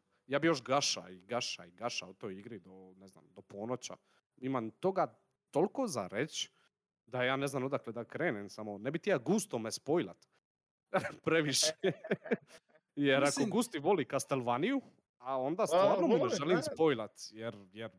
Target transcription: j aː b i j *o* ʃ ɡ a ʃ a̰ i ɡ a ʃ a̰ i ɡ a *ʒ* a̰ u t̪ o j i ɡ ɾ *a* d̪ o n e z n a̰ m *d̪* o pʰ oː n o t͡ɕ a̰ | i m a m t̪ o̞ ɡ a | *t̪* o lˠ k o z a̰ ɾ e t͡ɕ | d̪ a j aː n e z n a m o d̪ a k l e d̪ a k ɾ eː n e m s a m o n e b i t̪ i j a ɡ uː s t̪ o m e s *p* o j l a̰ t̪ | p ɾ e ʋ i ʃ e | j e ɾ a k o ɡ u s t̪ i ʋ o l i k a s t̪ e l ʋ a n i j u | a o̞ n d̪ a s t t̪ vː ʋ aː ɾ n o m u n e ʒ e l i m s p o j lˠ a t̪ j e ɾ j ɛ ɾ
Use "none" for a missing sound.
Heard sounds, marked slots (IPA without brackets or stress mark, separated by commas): o, ʃ, i, d̪, t̪, p